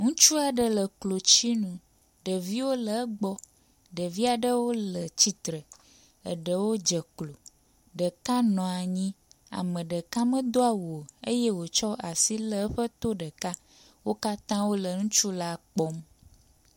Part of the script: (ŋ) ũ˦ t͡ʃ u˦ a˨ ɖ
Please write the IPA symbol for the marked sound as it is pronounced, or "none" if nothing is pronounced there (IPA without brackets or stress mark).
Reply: ŋ